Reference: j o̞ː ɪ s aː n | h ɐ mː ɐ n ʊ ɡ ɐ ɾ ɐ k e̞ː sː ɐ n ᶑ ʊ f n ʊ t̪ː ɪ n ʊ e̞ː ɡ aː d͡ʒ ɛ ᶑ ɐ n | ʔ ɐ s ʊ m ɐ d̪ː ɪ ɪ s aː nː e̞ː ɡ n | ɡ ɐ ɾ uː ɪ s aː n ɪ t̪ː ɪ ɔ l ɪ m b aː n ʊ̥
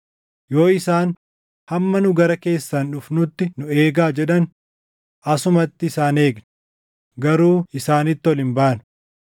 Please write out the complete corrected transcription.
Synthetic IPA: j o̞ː ɪ s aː n | h ɐ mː ɐ n ʊ ɡ ɐ ɾ ɐ k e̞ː sː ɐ n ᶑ ʊ f n ʊ t̪ː ɪ n ʊ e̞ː ɡ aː d͡ʒ ɛ ᶑ ɐ n | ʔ ɐ s ʊ m ɐ t̪ː ɪ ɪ s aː n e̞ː ɡ n | ɡ ɐ ɾ uː ɪ s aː n ɪ t̪ː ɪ ɔ l ɪ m b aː n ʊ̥